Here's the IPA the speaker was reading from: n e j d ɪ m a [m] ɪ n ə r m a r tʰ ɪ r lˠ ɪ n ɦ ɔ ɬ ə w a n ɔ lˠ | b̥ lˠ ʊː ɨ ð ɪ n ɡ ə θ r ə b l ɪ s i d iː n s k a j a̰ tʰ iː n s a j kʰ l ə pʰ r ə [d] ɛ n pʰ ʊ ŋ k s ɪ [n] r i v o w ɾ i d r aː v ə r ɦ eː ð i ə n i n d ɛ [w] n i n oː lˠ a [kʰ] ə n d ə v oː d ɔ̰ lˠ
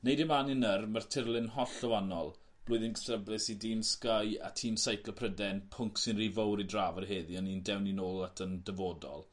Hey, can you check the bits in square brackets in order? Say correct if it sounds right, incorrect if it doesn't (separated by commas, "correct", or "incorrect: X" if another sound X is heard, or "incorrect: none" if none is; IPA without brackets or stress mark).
incorrect: n, correct, correct, correct, incorrect: tʰ